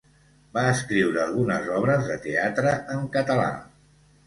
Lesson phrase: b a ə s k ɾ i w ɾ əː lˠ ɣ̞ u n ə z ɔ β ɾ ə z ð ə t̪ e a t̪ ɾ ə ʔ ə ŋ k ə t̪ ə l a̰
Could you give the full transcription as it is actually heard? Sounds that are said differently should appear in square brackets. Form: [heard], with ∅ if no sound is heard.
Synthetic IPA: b a ə s k ɾ i w ɾ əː lˠ ɣ̞ u n ə z ɔ β ɾ ə z ð ə t̪ e a t̪ ɾ ə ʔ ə ŋ k ə t̪ ə l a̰